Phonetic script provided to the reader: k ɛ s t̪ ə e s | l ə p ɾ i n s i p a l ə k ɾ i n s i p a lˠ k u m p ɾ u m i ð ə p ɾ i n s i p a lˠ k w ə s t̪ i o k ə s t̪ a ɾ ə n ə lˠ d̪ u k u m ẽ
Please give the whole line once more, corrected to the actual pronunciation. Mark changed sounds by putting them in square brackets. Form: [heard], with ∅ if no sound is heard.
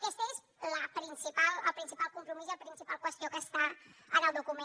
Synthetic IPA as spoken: k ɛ s t̪ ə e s | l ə p ɾ i n s i p a l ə [p] ɾ i n s i p a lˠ k u m p ɾ u m i [z] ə p ɾ i n s i p a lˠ k w ə s t̪ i o k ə s t̪ a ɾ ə n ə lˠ d̪ u k u m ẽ